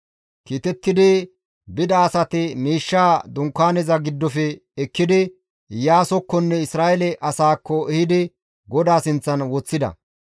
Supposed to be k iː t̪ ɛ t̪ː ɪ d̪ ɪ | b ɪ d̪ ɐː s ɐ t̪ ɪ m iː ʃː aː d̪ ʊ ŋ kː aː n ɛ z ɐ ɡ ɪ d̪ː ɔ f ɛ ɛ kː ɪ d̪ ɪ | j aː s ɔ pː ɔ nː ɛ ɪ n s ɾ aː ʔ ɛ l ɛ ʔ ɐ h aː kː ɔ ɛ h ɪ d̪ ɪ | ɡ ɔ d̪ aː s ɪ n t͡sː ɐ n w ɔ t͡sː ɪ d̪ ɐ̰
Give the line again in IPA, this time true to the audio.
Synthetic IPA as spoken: k iː t̪ ɛ t̪ː ɪ d̪ ɪ | b ɪ d̪ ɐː s ɐ t̪ ɪ m iː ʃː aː d̪ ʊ ŋ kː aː n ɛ z ɐ ɡ ɪ d̪ː ɔ f ɛ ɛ kː ɪ d̪ ɪ | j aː s ɔ kː ɔ nː ɛ ɪ s ɾ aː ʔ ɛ l ɛ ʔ ɐ s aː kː ɔ ɛ h ɪ d̪ ɪ | ɡ ɔ d̪ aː s ɪ n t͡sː ɐ n w ɔ t͡sː ɪ d̪ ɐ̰